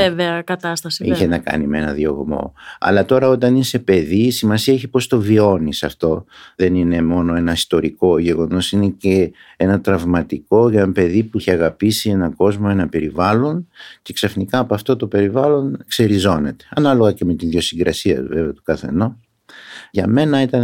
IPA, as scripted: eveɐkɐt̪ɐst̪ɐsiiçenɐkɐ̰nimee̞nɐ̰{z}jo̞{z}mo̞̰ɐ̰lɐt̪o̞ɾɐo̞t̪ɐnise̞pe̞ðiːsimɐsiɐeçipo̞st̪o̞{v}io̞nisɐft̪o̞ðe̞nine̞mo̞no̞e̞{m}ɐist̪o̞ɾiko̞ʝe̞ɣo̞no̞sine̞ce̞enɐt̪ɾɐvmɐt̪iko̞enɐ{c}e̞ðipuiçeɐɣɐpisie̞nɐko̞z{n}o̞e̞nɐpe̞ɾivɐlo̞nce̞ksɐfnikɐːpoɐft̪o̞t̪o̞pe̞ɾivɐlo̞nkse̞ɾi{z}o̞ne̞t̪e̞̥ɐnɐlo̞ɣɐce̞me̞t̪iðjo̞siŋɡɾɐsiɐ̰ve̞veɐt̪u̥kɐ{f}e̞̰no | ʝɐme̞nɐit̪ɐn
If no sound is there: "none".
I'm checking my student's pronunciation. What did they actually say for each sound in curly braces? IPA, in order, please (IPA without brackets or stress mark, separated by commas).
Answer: ð, ɣ, v, n, p, m, z, θ